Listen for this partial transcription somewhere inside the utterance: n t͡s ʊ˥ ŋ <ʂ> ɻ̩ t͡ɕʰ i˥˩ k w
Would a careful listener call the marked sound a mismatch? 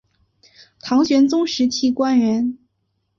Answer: no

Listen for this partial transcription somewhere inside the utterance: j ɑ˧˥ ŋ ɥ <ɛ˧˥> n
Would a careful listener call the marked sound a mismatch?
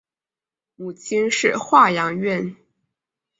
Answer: yes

